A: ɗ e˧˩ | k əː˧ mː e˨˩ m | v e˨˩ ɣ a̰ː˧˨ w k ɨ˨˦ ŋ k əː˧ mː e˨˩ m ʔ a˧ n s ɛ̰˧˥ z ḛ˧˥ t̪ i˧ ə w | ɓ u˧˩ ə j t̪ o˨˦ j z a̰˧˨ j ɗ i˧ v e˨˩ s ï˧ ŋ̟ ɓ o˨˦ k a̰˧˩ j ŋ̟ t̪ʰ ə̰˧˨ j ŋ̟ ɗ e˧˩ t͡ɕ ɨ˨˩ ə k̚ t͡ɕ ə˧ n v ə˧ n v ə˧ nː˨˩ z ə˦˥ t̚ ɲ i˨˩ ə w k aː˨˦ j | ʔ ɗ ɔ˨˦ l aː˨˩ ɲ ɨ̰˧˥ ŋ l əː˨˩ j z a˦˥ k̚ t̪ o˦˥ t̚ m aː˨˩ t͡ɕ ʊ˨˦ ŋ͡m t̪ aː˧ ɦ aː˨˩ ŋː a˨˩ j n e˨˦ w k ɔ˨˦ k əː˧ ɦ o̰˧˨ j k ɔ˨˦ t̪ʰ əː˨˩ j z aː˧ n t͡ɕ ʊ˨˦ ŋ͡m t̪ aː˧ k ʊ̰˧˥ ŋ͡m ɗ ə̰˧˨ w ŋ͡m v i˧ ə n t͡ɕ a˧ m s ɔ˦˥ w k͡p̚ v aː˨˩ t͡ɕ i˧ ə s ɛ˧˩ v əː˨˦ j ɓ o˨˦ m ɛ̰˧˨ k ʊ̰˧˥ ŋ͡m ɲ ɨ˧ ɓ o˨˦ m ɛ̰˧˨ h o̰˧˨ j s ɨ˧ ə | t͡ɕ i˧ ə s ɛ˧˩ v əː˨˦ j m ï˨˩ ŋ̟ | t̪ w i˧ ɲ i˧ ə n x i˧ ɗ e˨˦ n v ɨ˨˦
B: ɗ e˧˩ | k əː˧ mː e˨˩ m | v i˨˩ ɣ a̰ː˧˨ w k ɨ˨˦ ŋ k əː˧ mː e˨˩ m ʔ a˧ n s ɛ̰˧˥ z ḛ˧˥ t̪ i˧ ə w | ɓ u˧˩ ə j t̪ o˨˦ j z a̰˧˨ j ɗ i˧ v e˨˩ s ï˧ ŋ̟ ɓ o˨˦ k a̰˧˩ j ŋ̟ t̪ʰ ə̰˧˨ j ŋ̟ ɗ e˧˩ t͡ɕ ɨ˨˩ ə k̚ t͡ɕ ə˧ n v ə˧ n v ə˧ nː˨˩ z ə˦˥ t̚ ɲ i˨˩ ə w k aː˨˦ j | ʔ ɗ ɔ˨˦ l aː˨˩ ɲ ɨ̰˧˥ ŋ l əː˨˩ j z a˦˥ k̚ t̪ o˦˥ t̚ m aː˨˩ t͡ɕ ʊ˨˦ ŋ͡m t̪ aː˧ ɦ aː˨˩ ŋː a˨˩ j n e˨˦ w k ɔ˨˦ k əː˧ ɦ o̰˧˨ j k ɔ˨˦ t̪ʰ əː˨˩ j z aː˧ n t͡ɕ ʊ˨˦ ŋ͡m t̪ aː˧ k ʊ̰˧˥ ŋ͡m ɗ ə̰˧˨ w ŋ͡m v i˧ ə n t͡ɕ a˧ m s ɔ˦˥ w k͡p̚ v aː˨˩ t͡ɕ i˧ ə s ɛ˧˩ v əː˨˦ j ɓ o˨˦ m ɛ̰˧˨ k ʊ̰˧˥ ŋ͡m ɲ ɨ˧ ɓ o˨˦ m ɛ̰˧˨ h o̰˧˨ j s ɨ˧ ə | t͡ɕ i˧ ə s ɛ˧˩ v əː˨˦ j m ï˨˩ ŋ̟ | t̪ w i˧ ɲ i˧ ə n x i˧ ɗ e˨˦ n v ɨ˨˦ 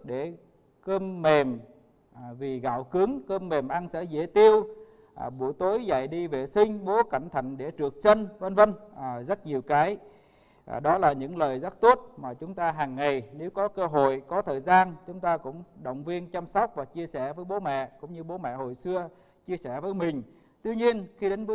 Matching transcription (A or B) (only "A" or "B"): B